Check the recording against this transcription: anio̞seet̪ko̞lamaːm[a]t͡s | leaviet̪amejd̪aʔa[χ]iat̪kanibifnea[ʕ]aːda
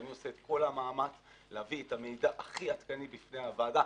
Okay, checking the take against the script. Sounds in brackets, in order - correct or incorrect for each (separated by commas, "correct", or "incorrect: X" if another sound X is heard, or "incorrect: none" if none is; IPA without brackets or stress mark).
correct, correct, incorrect: v